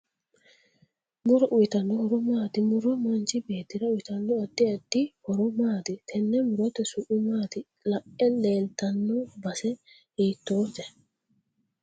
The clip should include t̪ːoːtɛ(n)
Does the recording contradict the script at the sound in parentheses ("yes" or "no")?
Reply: yes